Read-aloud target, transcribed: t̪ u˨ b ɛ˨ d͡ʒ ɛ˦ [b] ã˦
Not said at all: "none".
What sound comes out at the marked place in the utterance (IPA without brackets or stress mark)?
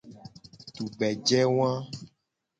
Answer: w